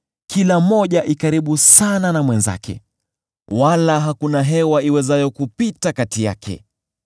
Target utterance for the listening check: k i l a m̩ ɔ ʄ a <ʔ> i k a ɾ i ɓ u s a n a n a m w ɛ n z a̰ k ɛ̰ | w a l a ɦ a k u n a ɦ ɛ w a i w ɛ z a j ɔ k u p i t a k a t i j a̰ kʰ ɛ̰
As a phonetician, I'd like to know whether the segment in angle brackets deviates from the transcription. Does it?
no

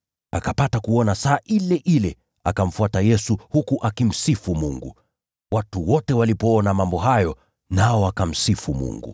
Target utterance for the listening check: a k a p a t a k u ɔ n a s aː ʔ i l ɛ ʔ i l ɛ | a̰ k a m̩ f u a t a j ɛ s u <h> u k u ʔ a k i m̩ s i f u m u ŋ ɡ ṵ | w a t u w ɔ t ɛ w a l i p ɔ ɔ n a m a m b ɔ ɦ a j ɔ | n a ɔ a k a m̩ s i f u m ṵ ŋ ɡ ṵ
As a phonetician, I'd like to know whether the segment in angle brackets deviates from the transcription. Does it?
no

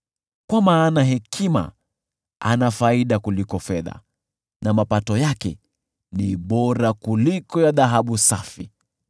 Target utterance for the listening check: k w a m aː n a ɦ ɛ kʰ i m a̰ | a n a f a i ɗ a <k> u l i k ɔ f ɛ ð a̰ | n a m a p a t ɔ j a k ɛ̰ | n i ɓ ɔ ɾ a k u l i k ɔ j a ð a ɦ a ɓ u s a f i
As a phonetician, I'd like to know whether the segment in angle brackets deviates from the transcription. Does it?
no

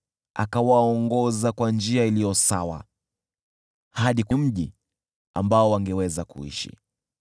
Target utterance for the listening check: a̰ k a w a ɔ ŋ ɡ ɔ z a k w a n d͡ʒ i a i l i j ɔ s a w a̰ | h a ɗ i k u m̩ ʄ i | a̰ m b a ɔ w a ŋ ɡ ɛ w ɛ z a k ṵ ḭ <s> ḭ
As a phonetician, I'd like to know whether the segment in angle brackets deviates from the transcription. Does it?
yes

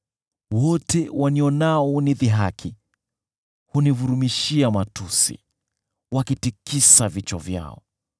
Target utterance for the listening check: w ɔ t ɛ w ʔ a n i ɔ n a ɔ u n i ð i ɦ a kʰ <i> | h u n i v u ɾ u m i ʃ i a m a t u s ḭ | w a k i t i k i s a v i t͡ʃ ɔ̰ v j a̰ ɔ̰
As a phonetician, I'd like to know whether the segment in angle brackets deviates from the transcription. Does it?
no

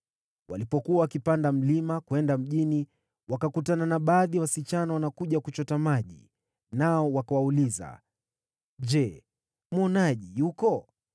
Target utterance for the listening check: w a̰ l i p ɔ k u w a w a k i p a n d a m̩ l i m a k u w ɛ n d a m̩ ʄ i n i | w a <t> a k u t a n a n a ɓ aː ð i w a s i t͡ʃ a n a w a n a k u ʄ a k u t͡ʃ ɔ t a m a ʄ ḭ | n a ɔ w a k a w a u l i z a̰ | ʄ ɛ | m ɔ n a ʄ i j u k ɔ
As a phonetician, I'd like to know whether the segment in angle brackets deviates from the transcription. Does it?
yes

